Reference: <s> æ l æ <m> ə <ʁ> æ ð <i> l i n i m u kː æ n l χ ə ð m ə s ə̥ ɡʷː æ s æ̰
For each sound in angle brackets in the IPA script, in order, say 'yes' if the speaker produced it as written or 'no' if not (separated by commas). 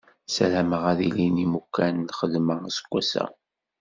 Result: yes, yes, yes, yes